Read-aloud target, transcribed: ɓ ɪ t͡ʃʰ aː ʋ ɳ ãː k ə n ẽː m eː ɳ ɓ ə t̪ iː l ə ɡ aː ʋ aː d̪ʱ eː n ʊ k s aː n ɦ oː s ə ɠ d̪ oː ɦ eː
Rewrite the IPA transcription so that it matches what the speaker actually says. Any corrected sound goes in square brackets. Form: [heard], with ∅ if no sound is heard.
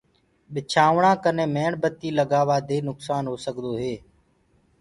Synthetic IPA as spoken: ɓ ɪ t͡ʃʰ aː ʋ ɳ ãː k ə n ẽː m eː ɳ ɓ ə t̪ iː l ə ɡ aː ʋ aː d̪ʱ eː n ʊ k s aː n ɦ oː s ə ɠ d̪ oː ɦ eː